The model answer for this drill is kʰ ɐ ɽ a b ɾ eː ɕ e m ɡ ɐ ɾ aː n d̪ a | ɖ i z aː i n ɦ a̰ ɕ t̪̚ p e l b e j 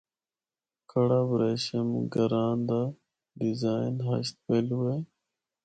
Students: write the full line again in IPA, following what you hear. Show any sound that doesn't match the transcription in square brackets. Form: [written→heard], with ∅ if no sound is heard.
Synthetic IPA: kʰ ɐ ɽ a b ɾ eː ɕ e m ɡ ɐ ɾ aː n d̪ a | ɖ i z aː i n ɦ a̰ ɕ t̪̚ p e l [b→w] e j